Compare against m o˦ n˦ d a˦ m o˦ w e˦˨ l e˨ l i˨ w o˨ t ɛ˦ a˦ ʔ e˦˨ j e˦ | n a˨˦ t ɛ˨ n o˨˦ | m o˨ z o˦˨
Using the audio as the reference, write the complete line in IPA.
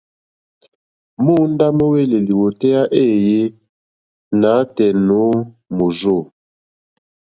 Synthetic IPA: m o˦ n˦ d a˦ m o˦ w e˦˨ l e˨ l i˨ w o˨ t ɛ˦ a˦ ʔ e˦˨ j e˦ | n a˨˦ t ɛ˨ n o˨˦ | m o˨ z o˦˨